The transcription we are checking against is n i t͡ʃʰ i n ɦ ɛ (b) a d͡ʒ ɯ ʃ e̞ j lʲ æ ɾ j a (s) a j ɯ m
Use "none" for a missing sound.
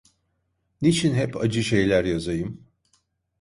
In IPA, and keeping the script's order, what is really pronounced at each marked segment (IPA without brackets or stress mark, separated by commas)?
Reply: p, z